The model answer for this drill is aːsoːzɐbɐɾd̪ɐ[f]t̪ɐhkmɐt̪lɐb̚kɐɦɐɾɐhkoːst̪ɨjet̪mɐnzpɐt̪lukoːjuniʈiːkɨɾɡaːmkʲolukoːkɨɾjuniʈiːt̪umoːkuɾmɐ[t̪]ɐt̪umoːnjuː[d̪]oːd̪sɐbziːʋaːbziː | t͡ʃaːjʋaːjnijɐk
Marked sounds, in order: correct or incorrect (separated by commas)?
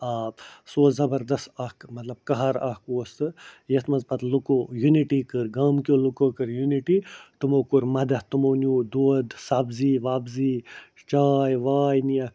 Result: incorrect, incorrect, correct